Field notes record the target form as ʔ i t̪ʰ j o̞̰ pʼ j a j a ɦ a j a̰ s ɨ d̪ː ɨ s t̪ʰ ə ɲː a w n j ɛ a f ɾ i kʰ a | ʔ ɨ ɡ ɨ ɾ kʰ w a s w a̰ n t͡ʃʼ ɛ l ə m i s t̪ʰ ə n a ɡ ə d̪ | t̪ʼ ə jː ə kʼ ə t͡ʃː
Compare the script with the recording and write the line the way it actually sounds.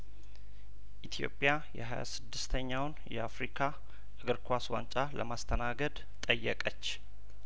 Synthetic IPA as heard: ʔ i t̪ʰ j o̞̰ pʼ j a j ɛ ɦ a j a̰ s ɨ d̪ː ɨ s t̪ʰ ə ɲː a w n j ɛ a f ɾ i kʰ a | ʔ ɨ ɡ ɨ ɾ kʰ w a s w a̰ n t͡ʃʼ a l ə m a s t̪ʰ ə n a ɡ ə d̪ | t̪ʼ ə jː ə kʼ ə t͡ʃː